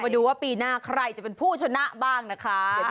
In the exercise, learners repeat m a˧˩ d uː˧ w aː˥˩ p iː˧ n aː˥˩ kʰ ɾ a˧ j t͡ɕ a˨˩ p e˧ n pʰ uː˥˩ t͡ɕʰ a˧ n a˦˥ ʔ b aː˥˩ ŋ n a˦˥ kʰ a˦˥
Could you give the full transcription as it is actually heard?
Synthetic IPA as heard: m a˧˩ d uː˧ w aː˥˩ p iː˧ n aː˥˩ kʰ ɾ a˧ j t͡ɕ a˨˩ p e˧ n pʰ uː˥˩ t͡ɕʰ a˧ n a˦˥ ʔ b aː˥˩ ŋ n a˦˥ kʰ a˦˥